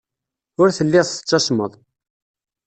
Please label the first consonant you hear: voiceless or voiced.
voiced